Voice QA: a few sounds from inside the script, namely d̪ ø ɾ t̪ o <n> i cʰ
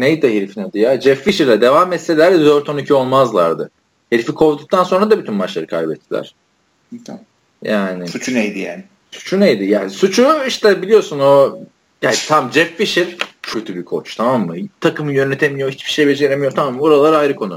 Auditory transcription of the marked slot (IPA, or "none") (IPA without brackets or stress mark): n